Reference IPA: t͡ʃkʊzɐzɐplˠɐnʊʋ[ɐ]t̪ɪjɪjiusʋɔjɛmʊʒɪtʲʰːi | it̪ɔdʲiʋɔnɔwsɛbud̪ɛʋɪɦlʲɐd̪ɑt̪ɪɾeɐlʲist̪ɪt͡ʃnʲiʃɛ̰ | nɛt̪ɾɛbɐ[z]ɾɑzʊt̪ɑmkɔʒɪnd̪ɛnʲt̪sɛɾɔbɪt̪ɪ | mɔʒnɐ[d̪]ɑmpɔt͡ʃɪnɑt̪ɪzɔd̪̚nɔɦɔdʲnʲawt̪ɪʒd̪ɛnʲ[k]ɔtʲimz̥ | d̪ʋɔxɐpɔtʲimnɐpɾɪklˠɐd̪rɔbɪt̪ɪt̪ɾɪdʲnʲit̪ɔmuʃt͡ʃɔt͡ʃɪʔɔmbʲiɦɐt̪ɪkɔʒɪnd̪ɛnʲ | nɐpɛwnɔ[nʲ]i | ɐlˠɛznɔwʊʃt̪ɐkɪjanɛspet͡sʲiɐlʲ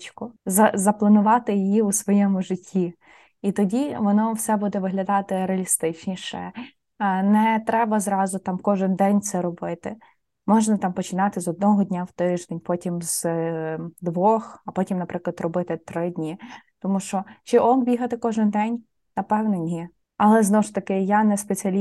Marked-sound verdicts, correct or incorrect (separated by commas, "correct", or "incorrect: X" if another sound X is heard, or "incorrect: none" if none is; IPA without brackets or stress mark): incorrect: ɑ, correct, incorrect: t̪, incorrect: p, correct